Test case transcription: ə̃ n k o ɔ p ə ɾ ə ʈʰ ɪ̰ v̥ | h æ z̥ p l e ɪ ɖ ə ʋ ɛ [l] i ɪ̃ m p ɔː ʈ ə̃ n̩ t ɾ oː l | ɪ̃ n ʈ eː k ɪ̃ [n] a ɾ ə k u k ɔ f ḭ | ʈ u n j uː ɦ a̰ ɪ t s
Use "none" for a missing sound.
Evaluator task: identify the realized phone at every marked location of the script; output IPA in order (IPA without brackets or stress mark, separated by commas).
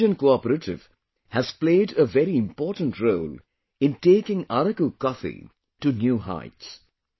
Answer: ɾ, ŋ